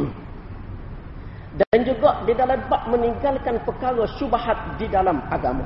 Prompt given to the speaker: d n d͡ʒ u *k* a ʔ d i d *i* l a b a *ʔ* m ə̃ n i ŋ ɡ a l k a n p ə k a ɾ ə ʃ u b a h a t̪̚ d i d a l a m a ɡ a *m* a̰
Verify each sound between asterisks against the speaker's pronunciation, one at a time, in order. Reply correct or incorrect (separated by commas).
incorrect, incorrect, correct, correct